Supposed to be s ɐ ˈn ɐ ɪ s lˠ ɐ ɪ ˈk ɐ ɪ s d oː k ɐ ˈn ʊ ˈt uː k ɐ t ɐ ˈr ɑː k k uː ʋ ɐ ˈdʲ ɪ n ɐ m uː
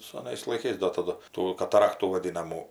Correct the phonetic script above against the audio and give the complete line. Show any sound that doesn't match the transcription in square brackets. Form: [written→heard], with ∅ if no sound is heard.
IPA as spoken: s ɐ ˈn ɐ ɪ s lˠ ɐ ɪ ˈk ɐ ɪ s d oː [k→t] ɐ [ˈn→ˈd] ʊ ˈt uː k ɐ t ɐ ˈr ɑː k [k→t] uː ʋ ɐ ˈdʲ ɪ n ɐ m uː